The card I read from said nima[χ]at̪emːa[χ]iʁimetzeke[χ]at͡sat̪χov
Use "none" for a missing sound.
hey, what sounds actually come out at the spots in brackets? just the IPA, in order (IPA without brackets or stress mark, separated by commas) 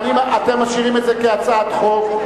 none, ʃ, none